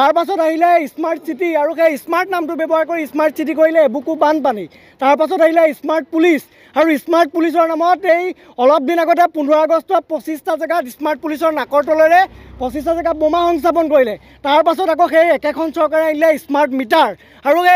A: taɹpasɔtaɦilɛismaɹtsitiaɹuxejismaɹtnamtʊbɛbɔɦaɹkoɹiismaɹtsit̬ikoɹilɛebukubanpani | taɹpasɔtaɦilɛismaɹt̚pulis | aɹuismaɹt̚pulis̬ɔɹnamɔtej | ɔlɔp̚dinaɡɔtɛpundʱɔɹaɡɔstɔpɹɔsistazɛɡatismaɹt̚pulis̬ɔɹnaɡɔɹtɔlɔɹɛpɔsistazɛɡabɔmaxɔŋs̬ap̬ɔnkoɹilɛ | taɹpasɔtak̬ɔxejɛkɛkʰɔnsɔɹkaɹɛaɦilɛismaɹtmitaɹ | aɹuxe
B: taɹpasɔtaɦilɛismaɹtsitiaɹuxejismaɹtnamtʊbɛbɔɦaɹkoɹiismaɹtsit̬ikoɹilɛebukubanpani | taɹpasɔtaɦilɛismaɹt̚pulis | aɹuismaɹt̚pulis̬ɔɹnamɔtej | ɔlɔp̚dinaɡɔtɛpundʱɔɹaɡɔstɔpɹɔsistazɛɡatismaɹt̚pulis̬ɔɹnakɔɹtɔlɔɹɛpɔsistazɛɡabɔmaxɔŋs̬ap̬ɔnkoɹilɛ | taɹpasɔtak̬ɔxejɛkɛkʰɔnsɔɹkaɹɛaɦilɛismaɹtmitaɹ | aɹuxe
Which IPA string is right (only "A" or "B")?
B